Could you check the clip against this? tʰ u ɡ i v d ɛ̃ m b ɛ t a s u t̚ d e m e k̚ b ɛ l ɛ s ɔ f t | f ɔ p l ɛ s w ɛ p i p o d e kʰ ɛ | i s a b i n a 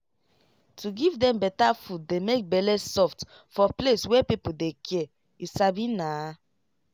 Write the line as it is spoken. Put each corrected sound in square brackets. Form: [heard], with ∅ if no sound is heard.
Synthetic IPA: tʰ u ɡ i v d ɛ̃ m b ɛ t a [f] u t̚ d e m e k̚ b ɛ l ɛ s ɔ f t | f ɔ p l [e] s w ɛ p i p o d e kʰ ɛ | i s a b i n a